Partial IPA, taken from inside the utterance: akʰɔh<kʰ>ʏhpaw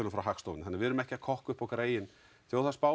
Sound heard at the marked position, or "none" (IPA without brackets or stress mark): k